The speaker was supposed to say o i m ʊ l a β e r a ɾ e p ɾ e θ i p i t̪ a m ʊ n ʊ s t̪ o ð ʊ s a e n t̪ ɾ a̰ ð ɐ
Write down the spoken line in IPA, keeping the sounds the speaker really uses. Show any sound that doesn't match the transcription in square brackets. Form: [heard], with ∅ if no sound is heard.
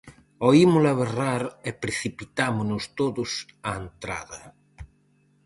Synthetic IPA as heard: o i m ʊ l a β e r a ɾ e p ɾ e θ i p i t̪ a m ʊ n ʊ s t̪ o ð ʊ s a e n t̪ ɾ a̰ ð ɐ